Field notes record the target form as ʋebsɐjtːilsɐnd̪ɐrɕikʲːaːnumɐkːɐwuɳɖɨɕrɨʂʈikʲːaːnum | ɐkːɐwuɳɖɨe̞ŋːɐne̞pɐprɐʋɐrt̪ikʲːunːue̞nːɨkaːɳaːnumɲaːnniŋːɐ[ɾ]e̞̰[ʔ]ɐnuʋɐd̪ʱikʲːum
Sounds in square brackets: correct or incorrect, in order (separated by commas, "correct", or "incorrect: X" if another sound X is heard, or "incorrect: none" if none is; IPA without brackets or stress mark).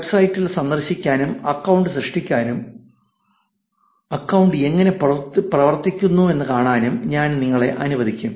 incorrect: ɭ, correct